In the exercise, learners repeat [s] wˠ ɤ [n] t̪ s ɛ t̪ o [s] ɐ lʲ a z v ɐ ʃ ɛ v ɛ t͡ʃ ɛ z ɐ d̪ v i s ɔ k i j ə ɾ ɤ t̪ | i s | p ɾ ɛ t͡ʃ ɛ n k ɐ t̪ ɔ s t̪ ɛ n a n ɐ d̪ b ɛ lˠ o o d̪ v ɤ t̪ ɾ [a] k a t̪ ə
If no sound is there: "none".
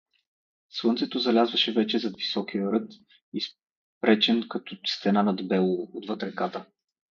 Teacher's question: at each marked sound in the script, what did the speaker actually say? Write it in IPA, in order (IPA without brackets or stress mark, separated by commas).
s, n, z, ɛ